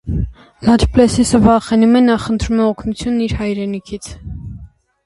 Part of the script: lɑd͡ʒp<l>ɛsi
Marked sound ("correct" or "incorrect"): correct